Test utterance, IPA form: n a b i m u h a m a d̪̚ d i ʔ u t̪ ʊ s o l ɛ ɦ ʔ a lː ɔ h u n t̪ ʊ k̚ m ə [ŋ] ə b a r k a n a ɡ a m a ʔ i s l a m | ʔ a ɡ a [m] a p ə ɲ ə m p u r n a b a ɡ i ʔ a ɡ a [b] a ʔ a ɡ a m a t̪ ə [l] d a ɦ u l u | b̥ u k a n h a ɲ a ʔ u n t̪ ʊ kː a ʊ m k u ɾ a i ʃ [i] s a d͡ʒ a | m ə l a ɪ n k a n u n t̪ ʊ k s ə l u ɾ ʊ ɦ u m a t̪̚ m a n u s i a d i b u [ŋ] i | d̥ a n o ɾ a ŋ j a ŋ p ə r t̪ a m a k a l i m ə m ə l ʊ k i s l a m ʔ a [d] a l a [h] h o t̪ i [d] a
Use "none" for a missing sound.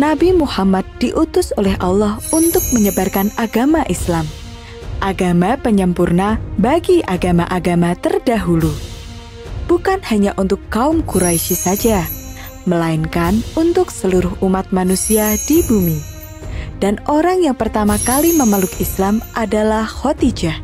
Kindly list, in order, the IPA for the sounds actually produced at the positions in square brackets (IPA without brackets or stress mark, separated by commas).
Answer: ɲ, m, m, r, i, m, d, h, d͡ʒ